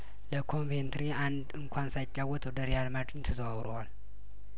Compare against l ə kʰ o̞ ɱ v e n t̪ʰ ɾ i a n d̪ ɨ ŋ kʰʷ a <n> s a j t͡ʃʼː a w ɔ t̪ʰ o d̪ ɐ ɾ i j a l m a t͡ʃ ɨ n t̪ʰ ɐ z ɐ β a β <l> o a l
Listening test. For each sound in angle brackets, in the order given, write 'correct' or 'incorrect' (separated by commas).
correct, incorrect